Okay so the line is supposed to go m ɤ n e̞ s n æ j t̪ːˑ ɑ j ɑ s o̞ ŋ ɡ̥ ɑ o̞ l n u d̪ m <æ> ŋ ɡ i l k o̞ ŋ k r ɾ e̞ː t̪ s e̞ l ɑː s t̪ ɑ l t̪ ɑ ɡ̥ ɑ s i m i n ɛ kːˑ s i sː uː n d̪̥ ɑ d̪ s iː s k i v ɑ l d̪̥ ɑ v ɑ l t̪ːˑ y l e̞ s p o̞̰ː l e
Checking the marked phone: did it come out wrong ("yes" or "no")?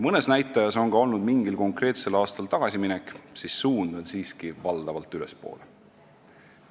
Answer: yes